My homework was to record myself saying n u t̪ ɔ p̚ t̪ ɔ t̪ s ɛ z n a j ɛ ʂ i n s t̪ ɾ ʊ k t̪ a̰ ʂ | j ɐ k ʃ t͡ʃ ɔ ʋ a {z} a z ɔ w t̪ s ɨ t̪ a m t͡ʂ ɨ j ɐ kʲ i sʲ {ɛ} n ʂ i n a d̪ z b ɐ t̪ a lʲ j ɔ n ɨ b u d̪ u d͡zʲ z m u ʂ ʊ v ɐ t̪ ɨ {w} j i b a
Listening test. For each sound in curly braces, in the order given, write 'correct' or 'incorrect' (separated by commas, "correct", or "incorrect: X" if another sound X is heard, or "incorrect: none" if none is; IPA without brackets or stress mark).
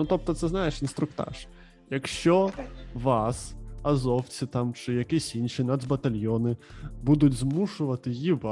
incorrect: s, incorrect: i, incorrect: none